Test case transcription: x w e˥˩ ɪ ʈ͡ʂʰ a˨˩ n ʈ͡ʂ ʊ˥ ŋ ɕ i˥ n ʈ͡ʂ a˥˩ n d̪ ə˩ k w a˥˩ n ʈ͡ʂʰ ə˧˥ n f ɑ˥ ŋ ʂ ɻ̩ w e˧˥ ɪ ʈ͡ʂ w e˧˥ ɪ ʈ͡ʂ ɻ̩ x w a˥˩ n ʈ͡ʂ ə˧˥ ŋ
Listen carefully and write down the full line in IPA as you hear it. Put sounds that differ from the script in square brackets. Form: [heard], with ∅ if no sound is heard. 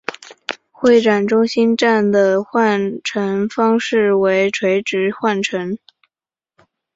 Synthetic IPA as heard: x w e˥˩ ɪ [ʈ͡ʂ] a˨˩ n ʈ͡ʂ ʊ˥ ŋ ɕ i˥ n ʈ͡ʂ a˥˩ n d̪ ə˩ [x] w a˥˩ n ʈ͡ʂʰ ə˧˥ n f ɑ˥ ŋ ʂ ɻ̩ w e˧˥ ɪ [ʈ͡ʂʰ] w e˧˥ ɪ ʈ͡ʂ ɻ̩ x w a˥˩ n [ʈ͡ʂʰ] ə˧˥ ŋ